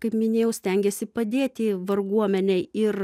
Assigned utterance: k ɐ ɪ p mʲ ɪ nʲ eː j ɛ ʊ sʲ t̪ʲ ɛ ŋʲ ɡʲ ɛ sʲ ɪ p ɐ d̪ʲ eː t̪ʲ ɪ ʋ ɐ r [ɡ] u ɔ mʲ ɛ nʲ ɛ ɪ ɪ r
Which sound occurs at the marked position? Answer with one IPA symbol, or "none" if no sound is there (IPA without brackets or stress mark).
ɡ